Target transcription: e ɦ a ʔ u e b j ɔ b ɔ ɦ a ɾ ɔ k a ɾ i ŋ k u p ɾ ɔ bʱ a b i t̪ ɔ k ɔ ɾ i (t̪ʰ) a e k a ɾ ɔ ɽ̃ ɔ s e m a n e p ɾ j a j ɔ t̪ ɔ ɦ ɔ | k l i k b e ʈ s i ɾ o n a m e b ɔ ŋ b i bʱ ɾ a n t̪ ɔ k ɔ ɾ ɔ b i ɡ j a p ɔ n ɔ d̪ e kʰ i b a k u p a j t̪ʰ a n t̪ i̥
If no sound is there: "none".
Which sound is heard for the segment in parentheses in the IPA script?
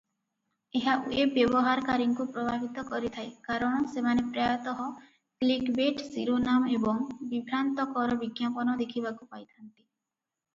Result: t̪ʰ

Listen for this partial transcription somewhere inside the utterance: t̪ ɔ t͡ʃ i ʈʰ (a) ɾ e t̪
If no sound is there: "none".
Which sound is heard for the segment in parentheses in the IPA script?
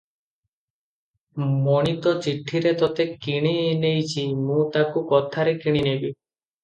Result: i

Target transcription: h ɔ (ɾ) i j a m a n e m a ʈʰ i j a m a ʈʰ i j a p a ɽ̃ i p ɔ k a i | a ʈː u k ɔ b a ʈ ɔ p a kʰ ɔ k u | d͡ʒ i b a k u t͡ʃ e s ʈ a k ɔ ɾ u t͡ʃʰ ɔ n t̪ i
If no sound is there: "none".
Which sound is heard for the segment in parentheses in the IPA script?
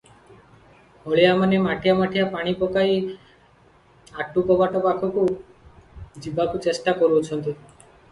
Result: ɭ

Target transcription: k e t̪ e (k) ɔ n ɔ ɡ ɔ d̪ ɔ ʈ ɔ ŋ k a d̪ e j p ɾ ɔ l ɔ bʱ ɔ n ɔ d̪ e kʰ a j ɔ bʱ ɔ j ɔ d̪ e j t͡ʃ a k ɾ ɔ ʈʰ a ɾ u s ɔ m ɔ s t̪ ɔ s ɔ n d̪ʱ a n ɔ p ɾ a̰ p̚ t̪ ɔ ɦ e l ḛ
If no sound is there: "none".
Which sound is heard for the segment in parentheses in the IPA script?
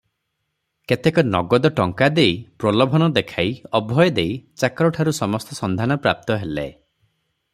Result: k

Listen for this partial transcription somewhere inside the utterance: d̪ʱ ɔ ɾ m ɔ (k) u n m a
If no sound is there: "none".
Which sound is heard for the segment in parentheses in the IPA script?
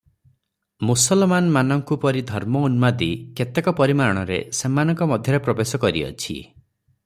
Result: none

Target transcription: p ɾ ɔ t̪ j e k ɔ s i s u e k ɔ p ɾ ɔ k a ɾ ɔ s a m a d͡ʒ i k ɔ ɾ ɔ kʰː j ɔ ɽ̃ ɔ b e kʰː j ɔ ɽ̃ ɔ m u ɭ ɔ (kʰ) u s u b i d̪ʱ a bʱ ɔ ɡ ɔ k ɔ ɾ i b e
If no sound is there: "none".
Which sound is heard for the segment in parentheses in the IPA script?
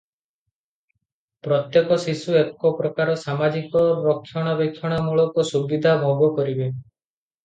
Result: k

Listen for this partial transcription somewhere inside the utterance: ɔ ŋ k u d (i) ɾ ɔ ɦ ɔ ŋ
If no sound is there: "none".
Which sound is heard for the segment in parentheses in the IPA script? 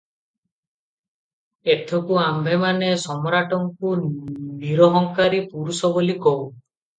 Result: i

